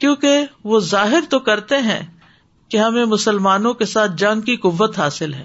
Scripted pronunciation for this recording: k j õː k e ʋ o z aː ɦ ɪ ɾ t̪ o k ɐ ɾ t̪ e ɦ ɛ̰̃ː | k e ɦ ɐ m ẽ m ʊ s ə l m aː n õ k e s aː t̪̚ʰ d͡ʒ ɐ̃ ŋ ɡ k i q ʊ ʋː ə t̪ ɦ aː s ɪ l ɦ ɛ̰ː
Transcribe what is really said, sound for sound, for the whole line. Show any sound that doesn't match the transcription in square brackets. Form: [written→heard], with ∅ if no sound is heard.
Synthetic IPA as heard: k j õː k e ʋ o z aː ɦ ɪ ɾ t̪ o k ɐ ɾ t̪ e ɦ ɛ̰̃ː | k e ɦ ɐ m ẽ m ʊ s ə l m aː n õ k e s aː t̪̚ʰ d͡ʒ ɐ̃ ŋ ɡ k i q ʊ ʋː ə t̪ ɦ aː s ɪ l ɦ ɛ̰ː